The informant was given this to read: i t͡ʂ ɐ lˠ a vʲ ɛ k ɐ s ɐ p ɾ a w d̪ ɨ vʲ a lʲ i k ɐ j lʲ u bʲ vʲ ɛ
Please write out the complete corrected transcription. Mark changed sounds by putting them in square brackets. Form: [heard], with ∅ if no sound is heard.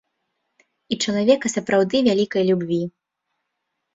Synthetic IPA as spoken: i t͡ʂ ɐ lˠ a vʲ ɛ k ɐ s ɐ p ɾ a w d̪ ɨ vʲ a lʲ i k ɐ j lʲ u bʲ vʲ [i]